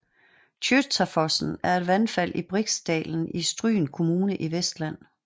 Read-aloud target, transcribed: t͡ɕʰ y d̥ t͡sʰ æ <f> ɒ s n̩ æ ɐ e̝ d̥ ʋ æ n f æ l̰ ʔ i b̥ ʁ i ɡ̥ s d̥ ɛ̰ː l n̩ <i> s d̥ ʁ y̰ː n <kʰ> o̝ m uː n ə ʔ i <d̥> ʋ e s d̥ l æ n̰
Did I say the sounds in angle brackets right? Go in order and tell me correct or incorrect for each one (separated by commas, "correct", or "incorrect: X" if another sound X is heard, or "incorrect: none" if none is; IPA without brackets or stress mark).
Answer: correct, correct, correct, incorrect: none